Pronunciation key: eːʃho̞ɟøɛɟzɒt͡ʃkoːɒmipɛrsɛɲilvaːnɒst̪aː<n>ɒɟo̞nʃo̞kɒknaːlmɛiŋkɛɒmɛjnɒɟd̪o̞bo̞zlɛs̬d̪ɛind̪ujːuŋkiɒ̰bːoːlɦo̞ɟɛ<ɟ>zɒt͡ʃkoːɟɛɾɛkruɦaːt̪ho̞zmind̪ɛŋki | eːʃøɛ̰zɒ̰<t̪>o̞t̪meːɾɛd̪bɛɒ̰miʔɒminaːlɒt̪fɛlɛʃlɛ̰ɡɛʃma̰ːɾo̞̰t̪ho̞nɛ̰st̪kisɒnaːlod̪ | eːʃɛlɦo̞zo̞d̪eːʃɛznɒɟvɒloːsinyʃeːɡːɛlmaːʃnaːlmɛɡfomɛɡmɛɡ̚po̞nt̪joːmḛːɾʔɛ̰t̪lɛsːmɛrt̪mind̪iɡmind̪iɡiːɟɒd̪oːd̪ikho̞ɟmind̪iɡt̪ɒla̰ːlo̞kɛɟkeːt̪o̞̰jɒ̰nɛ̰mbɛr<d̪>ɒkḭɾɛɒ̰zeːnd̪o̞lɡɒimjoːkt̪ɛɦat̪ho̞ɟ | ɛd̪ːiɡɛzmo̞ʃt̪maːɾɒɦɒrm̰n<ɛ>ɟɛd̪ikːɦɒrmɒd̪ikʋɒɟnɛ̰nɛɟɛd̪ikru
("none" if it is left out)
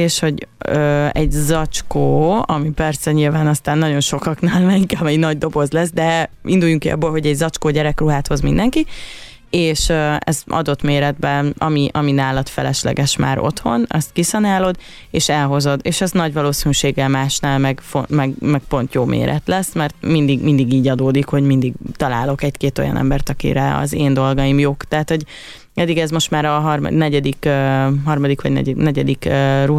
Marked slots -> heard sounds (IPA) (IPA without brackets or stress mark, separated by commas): nː, ɟ, d̪, t̪, ɛ